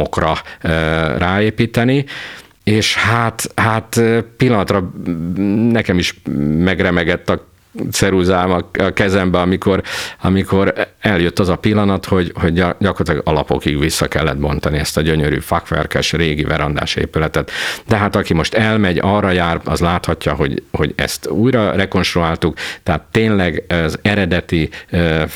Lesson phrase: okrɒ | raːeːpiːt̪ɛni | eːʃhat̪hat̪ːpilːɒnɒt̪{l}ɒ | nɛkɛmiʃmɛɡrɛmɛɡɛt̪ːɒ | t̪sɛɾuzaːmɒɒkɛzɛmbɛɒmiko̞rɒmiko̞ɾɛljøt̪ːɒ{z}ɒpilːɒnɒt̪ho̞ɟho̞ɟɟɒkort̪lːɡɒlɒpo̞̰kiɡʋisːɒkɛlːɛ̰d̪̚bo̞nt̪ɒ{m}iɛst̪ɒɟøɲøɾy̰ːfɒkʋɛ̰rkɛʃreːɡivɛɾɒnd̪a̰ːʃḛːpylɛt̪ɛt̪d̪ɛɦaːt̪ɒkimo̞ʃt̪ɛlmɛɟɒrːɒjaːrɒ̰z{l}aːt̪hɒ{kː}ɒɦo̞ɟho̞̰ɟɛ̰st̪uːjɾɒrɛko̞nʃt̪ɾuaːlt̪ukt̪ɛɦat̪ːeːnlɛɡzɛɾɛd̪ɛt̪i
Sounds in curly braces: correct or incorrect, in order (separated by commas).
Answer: incorrect, correct, incorrect, correct, incorrect